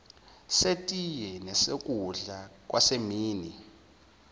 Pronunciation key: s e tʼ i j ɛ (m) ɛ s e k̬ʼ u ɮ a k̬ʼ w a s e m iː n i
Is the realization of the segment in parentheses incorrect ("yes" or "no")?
yes